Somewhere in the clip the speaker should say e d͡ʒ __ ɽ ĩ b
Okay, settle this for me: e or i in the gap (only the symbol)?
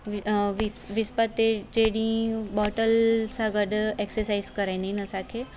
e